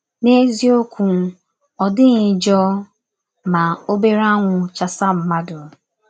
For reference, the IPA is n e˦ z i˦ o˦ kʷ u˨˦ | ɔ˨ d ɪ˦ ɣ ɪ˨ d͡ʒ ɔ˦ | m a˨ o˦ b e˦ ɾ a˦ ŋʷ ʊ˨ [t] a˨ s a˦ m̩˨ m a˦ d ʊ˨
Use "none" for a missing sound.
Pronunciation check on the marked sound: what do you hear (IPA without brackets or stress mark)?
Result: t͡ʃ